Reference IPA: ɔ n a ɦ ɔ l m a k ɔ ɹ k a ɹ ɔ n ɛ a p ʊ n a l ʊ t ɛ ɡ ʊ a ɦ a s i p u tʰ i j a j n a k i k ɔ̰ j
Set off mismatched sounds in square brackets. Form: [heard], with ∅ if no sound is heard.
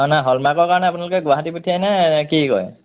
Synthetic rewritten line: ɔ n a ɦ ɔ l m a k ɔ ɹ k a ɹ ɔ n ɛ a p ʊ n a l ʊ [k] ɛ ɡ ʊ a ɦ a [t] i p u tʰ i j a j n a k i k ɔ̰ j